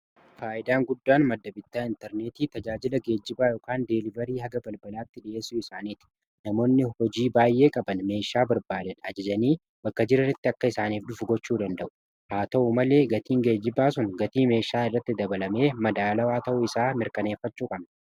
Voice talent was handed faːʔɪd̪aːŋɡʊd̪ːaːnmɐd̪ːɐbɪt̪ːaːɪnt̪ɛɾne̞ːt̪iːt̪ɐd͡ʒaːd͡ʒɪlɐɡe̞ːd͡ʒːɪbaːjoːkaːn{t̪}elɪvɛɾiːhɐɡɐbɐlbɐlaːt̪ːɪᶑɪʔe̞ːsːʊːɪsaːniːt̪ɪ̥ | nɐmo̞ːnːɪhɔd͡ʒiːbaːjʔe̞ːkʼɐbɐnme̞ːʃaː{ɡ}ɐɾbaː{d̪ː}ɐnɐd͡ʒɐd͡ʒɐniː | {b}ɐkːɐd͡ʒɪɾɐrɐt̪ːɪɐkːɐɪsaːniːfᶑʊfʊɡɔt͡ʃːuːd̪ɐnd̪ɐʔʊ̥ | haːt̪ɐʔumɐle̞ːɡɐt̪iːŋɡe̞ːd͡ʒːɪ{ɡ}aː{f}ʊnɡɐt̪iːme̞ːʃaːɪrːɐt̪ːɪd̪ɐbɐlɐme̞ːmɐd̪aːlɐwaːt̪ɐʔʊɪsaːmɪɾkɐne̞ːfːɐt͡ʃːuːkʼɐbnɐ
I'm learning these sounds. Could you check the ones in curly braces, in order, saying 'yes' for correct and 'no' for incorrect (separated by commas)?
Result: no, no, no, yes, no, no